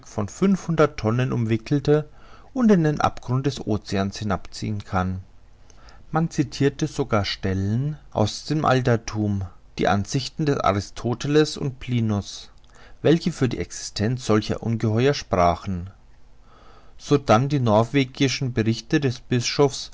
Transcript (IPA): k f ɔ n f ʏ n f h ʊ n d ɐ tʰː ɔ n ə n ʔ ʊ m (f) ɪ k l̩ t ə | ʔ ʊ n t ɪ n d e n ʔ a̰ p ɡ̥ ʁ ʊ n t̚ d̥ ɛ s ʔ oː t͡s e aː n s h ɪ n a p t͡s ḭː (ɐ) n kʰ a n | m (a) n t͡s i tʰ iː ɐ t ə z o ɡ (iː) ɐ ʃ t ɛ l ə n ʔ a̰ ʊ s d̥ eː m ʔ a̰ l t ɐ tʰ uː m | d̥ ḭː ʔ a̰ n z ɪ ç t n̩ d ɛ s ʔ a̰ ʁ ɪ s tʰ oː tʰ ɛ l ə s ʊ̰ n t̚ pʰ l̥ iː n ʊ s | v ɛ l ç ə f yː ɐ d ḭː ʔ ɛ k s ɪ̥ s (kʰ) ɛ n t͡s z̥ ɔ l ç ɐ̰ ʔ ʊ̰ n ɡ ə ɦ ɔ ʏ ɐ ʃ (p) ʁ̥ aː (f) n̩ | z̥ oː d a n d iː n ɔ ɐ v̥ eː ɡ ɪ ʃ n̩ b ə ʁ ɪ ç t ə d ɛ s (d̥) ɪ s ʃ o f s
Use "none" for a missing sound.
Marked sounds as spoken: v, ə, a, aː, tʰ, p, χ, b̥

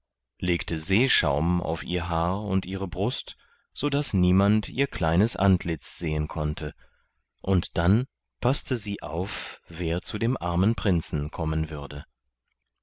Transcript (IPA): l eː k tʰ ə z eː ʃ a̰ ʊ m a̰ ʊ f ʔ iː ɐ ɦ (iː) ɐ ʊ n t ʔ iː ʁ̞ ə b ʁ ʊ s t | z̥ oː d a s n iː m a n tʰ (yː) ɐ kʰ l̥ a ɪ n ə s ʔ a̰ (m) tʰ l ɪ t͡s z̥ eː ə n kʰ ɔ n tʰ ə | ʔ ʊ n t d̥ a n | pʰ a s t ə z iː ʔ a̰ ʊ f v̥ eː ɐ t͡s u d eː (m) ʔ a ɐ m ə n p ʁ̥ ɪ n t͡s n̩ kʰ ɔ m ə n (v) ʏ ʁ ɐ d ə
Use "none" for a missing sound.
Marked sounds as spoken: aː, iː, n, m, v

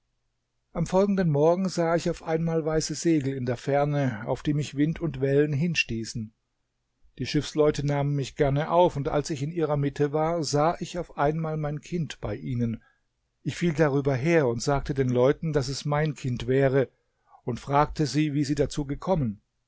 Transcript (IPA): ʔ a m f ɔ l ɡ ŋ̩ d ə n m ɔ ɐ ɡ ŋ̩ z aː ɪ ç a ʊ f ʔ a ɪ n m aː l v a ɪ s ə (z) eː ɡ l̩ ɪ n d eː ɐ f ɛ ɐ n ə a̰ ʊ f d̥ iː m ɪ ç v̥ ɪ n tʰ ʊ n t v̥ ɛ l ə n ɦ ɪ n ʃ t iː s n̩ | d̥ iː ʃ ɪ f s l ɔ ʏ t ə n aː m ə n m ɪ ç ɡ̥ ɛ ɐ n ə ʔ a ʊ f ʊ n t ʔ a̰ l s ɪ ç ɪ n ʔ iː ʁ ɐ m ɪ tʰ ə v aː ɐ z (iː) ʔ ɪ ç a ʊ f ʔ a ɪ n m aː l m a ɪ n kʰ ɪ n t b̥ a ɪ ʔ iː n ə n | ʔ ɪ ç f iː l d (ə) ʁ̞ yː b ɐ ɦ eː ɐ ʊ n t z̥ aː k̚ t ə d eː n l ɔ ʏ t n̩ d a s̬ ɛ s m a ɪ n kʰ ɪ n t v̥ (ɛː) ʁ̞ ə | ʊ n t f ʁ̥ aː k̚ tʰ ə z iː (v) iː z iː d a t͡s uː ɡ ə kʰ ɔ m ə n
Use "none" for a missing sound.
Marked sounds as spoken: z, aː, a, ɛː, v

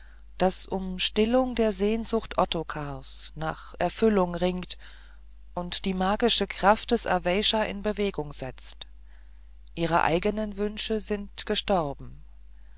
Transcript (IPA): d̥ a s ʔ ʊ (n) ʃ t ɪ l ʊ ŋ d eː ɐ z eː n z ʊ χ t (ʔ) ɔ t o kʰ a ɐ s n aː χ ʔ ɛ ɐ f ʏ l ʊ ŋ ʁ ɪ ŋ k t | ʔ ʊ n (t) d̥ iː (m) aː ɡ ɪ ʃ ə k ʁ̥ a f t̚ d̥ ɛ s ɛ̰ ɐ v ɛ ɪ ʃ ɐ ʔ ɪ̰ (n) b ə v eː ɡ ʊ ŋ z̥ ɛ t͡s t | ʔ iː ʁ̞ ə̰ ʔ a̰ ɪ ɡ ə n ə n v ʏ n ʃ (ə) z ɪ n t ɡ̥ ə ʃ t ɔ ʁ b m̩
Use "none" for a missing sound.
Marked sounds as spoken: m, ʔ, t, m, n, ə

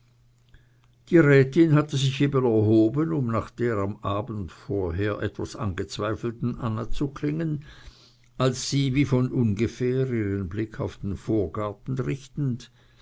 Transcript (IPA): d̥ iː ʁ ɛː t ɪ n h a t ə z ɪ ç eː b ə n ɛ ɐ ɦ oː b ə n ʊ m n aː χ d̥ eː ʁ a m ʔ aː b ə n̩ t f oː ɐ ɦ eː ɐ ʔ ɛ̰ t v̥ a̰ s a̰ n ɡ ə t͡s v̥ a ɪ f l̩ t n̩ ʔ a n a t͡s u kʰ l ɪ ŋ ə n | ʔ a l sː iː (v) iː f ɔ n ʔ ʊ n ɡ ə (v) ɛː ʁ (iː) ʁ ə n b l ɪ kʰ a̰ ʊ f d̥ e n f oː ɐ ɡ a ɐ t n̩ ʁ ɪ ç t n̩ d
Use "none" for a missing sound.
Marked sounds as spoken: v, f, iː

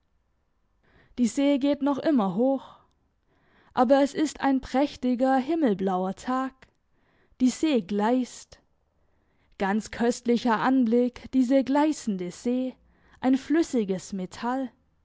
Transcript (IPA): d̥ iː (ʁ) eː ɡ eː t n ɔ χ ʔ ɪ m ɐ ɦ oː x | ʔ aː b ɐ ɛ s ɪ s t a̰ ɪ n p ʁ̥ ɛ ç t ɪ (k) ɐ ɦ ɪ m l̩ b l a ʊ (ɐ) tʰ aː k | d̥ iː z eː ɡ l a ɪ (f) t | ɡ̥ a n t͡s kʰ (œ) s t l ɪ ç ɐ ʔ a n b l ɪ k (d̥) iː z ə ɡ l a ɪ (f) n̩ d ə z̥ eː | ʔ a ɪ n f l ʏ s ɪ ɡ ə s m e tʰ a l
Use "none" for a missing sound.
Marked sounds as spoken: z, ɡ, ɐ, s, œ, d̥, s

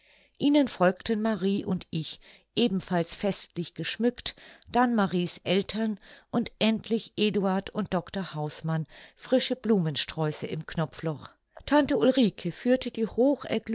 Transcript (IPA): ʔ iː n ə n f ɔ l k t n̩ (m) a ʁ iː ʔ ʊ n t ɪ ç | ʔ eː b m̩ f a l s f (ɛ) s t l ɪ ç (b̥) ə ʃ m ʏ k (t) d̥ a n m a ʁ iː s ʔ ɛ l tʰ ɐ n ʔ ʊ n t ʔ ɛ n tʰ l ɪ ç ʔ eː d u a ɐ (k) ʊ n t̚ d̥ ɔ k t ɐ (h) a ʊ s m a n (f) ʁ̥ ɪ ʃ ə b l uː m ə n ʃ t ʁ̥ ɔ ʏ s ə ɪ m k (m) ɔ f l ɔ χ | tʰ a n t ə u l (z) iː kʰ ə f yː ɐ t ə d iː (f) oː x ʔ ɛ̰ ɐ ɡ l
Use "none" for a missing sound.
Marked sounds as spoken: m, ɛ, ɡ̥, t, t, h, f, n, ʁ, h

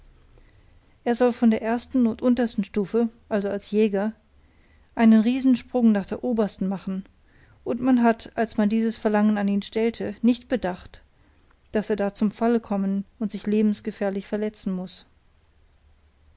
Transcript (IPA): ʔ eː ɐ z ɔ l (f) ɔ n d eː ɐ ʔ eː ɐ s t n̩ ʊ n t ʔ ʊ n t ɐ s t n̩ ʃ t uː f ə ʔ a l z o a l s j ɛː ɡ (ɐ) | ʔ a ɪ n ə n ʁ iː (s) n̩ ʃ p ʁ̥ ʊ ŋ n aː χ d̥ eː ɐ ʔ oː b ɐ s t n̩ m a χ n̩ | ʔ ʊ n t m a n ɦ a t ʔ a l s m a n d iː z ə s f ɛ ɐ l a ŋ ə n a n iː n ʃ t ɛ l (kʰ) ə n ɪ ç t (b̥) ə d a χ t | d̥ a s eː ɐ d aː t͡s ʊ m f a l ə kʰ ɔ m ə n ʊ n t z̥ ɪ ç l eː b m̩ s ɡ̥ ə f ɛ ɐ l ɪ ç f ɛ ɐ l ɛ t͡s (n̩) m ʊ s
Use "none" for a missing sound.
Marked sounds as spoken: f, ɐ, z, tʰ, b̥, n̩

